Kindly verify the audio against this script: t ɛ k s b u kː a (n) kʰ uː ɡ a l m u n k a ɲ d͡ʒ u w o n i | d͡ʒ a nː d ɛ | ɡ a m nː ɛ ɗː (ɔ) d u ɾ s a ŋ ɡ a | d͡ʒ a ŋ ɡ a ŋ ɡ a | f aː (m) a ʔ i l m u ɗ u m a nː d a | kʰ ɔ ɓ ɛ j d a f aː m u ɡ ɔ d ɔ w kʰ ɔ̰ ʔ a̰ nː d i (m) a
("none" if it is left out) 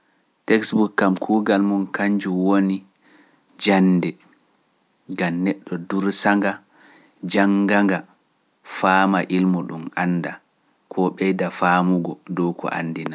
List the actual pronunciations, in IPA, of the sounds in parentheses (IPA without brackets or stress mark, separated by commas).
m, ɔ, m, n